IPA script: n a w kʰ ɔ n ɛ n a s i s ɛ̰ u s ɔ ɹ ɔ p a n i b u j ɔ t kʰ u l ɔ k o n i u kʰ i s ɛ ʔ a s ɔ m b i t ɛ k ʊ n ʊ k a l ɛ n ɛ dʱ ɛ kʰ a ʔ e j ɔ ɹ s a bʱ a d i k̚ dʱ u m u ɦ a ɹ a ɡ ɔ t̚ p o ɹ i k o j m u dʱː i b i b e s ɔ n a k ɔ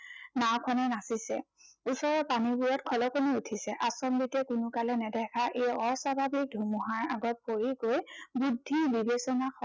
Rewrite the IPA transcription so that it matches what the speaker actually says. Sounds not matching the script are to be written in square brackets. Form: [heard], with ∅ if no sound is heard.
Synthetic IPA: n a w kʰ ɔ n ɛ n a s i s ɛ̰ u s ɔ ɹ ɔ p a n i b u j ɔ t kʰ [ɔ] l ɔ k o n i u [tʰ] i s ɛ ʔ a s ɔ m b i t ɛ k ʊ n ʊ k a l ɛ n ɛ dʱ ɛ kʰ a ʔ e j ɔ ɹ s a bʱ a [b] i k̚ dʱ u m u ɦ a ɹ a ɡ ɔ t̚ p o ɹ i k o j [b] u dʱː i b i b e s ɔ n a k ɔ

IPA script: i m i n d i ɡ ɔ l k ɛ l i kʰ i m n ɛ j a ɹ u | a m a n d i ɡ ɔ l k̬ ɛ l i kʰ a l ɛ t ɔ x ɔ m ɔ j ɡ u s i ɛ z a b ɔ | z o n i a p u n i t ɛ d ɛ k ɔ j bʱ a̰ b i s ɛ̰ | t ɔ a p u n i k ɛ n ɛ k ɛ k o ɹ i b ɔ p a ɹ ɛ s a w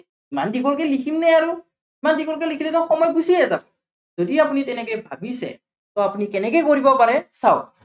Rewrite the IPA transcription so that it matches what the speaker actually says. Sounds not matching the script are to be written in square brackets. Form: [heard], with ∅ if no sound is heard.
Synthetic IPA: i m [a] n d i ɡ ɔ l k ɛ l i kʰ i m n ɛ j a ɹ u | [i] m a n d i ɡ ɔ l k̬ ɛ l i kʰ [i] l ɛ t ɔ x ɔ m ɔ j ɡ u s i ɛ z a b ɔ | z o [d] i a p u n i t ɛ [n] ɛ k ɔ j bʱ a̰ b i s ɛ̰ | t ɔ a p u n i k ɛ n ɛ k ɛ k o ɹ i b ɔ p a ɹ ɛ s a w

